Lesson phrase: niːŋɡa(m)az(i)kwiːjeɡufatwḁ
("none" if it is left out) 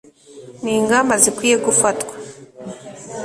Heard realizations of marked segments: m, i

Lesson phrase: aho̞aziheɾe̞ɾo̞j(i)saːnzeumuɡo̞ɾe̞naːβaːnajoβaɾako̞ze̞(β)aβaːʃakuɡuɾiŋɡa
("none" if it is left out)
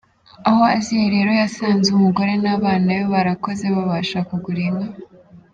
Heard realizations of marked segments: a, β

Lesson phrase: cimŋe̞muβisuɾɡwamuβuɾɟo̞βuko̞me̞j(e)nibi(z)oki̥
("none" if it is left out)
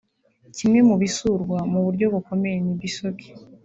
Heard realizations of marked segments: e, s

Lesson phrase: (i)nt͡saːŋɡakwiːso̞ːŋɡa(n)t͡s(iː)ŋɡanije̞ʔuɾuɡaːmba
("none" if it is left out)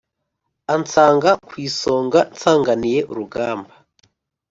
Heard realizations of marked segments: a, n, aː

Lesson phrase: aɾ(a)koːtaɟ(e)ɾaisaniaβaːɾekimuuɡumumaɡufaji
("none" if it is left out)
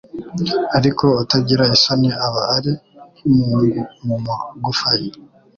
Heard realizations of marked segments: i, i

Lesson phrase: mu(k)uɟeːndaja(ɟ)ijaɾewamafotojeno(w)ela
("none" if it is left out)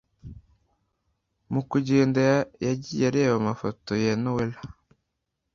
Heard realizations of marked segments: k, ɟ, w

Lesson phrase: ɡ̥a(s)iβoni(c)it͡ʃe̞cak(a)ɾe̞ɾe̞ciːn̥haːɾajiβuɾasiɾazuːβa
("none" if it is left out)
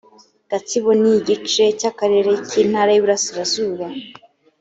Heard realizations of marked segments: t͡s, ɟ, a

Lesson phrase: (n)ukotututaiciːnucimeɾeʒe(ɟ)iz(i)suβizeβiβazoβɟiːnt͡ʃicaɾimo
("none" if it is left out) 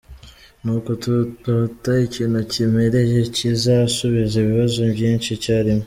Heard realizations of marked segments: n, c, a

